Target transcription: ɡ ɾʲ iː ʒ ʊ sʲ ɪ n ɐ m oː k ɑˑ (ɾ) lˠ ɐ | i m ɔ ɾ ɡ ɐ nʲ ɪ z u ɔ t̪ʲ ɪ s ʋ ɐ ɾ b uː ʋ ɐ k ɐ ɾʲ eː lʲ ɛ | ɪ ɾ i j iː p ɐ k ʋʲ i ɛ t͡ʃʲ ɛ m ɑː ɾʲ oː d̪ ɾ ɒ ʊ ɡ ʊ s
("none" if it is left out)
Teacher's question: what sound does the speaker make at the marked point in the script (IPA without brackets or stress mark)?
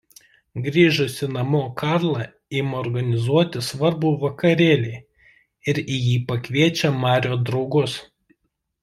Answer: ɾ